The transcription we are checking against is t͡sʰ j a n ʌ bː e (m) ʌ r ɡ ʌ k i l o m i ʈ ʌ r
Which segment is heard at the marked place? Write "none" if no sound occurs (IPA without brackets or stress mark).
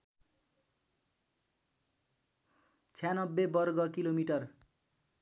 b